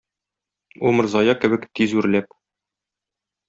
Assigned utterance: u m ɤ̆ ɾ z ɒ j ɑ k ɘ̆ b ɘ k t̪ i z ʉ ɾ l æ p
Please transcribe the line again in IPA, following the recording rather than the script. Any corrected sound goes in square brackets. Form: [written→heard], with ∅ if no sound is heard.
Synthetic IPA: u m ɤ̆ ɾ z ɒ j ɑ k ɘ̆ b ɘ k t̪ i z ʉ ɾ l æ p